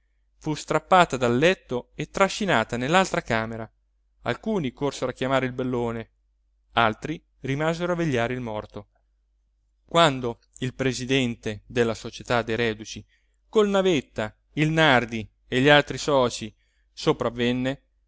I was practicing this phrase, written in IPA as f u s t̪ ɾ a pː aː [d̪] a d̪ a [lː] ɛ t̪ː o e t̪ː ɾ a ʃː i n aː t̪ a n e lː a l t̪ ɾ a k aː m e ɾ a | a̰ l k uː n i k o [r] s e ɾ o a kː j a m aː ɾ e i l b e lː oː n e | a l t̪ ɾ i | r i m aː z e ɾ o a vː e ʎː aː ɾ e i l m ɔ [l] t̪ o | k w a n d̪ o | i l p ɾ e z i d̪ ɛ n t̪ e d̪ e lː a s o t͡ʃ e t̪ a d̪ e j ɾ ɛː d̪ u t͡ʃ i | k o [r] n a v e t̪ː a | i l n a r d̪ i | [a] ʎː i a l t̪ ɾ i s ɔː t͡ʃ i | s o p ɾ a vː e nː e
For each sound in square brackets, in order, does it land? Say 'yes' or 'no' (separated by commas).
no, yes, yes, no, no, no